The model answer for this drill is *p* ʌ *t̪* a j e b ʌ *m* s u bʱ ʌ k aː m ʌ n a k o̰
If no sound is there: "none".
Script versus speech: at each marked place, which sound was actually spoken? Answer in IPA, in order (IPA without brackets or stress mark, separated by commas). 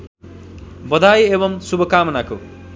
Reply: b, d̪, m